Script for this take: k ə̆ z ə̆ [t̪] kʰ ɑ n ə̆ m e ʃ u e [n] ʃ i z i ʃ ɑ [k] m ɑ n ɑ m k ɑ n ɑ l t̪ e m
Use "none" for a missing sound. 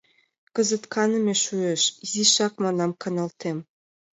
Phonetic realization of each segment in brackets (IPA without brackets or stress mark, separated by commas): t̪, none, k